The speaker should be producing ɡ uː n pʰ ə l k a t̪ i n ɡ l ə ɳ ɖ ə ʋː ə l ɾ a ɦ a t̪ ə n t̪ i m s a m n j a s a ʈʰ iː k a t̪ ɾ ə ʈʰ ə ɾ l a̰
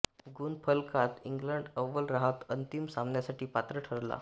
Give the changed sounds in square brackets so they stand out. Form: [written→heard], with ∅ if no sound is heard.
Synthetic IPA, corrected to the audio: ɡ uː n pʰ ə l k a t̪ i [n→ŋ] ɡ l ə ɳ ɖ ə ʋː ə l ɾ a ɦ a t̪ ə n t̪ i m s a m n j a s a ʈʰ iː [k→p] a t̪ ɾ ə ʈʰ ə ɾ l a̰